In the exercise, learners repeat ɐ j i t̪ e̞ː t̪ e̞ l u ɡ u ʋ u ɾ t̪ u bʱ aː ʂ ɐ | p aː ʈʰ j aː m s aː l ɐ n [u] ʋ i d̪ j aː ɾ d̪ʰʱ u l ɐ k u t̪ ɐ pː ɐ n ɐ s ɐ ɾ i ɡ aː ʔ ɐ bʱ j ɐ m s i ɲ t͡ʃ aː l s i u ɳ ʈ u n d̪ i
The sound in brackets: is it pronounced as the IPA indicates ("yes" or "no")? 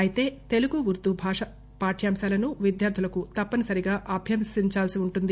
yes